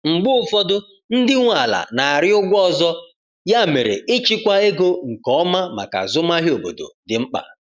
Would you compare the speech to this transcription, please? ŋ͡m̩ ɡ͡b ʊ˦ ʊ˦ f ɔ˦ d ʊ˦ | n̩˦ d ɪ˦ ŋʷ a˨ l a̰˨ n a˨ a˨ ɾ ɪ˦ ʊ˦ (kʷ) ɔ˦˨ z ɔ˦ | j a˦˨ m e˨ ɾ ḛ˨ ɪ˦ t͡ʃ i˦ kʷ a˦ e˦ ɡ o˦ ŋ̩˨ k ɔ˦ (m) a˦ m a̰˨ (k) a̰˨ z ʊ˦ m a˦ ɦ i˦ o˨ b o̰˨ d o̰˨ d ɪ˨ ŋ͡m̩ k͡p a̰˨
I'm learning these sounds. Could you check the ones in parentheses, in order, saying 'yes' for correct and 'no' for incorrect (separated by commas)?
no, yes, yes